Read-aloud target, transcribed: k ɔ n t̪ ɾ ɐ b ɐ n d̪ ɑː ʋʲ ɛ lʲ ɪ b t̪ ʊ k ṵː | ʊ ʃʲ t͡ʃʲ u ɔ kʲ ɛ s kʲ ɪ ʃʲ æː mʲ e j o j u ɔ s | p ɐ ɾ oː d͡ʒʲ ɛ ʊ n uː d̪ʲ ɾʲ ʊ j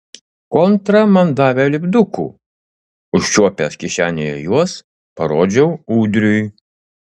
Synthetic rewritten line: k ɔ n t̪ ɾ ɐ m ɐ n d̪ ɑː ʋʲ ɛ lʲ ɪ b d̪ ʊ k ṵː | ʊ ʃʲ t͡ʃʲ u ɔ pʲ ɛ s kʲ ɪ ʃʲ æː nʲ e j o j u ɔ s | p ɐ ɾ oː d͡ʒʲ ɛ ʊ uː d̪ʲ ɾʲ ʊ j